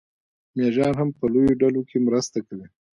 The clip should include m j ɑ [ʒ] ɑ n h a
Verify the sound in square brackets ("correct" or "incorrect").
correct